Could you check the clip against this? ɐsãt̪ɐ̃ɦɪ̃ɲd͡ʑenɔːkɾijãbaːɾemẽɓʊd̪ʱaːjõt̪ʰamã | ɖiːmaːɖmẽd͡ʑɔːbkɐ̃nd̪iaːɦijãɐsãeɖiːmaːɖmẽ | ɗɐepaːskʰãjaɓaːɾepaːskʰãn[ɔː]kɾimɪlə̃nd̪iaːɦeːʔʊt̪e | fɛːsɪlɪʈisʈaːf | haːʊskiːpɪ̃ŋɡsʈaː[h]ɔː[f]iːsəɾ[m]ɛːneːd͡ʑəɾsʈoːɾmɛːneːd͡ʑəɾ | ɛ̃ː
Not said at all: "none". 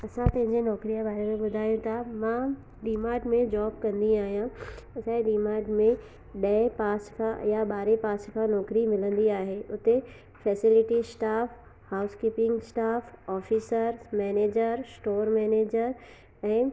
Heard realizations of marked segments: ɔː, f, f, m

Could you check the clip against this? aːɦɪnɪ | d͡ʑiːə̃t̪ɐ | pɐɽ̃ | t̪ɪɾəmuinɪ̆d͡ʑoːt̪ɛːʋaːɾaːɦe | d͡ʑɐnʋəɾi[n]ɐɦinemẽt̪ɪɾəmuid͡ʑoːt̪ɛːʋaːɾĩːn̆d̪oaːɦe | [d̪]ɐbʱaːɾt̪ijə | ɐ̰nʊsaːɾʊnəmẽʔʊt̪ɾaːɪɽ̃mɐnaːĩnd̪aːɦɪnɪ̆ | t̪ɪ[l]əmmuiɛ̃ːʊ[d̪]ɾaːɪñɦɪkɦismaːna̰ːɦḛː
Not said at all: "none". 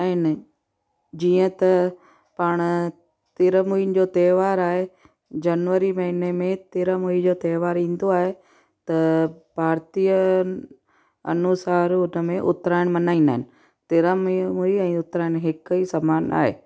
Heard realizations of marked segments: m, t̪, ɾ, t̪

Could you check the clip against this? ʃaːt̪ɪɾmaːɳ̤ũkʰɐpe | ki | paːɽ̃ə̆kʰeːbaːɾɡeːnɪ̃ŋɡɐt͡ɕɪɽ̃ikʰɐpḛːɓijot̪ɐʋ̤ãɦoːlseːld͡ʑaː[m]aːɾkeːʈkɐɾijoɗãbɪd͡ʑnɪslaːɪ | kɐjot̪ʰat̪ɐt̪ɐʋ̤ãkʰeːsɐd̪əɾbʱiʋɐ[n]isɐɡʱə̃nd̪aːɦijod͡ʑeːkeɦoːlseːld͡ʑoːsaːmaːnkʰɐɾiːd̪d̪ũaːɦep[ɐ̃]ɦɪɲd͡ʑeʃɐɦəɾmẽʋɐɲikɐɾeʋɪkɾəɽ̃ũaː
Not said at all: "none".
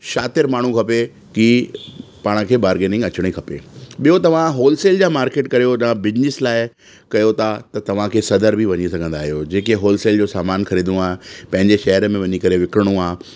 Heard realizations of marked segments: m, ɲ, ɐ̃

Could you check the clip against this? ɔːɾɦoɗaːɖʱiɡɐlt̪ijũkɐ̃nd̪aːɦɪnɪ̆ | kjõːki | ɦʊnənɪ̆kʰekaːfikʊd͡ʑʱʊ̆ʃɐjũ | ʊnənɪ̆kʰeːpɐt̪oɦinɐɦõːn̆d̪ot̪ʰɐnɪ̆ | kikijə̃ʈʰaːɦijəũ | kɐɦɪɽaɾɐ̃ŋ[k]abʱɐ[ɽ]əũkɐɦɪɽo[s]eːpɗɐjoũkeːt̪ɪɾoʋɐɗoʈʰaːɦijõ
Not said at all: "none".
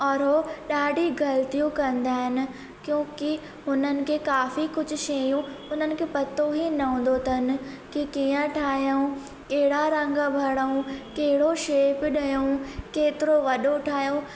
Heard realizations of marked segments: ɡ, ɽ, ʃ

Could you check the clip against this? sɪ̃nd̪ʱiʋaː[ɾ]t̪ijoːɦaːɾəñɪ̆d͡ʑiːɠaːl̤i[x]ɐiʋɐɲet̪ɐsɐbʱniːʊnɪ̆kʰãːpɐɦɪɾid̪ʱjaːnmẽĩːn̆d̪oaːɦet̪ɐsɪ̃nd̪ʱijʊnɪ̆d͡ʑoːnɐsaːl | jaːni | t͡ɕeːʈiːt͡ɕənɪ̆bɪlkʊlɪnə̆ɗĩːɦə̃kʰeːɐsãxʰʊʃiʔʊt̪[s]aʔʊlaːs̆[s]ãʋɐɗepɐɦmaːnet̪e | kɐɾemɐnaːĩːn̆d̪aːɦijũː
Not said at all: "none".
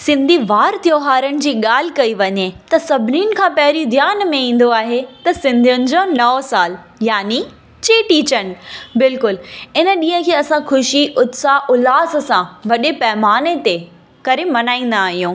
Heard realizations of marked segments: ɾ, k, s, s

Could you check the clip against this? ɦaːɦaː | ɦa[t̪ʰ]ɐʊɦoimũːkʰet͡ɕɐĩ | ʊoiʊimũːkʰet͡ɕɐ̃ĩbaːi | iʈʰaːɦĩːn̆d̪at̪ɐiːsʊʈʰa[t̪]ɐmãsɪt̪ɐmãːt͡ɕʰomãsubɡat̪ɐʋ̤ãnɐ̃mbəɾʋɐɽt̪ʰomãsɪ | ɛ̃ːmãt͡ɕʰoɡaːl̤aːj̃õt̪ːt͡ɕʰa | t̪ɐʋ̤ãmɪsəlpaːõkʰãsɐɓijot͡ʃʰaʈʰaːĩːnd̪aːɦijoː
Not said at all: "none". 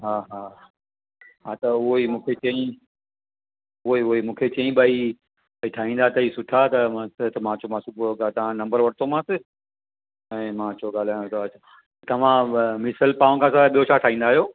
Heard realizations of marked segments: t̪, t̪

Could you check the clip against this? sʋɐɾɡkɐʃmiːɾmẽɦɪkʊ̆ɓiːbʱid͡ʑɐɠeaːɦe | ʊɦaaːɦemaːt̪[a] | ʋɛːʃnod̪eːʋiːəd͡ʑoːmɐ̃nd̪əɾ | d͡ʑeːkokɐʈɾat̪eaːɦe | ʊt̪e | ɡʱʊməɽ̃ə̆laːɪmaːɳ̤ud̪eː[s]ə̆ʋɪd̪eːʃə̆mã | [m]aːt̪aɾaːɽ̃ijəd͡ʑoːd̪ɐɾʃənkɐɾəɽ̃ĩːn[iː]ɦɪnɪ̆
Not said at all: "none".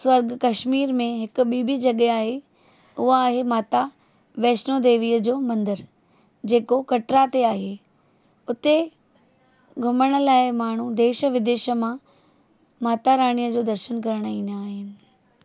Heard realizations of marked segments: a, ʃ, m, aː

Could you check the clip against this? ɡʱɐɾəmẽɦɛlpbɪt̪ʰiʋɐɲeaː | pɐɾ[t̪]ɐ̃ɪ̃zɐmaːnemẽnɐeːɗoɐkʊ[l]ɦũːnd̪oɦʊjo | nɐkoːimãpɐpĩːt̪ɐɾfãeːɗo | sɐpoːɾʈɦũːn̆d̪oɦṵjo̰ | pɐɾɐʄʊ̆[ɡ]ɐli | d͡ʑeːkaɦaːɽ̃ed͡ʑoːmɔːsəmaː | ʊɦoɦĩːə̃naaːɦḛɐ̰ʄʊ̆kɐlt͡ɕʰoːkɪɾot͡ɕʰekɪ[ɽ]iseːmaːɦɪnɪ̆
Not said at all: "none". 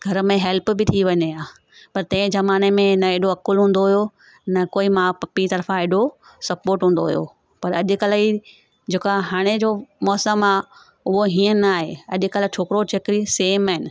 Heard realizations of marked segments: t̪, l, k, ɾ

